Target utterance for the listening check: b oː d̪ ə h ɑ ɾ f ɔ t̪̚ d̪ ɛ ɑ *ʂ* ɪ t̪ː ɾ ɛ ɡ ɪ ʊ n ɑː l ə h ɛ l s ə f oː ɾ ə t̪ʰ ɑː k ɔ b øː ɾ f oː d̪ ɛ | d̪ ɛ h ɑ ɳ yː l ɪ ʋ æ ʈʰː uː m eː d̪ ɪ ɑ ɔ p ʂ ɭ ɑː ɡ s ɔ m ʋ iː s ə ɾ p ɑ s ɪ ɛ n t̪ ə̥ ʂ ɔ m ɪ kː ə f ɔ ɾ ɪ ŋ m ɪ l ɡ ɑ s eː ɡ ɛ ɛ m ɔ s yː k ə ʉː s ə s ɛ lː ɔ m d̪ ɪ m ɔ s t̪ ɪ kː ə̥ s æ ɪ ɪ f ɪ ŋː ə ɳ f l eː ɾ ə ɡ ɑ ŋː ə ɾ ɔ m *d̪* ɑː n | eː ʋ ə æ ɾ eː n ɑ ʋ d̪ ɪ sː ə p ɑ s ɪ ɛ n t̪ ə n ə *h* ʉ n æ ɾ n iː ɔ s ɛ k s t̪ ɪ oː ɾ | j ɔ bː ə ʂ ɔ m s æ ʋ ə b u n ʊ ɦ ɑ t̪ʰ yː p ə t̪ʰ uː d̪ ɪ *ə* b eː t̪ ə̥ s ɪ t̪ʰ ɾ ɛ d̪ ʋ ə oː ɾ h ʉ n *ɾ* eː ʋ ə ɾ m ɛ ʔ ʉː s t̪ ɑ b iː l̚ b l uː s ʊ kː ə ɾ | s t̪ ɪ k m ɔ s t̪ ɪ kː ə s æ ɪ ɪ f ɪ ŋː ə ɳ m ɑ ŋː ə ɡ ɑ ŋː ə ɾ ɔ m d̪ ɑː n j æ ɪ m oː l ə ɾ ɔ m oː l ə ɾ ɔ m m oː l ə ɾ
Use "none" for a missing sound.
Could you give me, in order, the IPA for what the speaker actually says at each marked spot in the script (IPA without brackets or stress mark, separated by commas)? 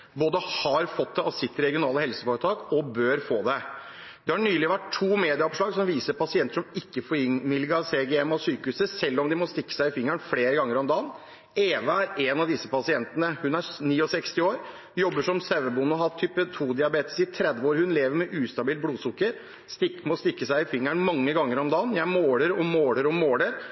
s, d̪, h, ɑ, l